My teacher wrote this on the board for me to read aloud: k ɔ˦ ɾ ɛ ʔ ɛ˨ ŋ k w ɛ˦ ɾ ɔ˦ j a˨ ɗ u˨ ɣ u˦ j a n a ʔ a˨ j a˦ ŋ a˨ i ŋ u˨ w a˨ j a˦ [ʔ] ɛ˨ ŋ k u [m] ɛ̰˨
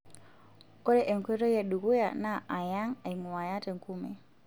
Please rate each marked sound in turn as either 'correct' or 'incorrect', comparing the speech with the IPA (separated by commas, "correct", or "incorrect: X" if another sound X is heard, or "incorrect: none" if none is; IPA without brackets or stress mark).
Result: incorrect: t, correct